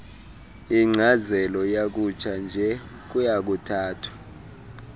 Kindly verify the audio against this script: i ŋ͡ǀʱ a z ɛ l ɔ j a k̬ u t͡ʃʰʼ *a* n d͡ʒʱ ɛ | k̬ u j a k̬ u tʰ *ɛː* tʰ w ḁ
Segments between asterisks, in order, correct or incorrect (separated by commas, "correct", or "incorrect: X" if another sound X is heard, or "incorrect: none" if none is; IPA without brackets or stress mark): correct, incorrect: aː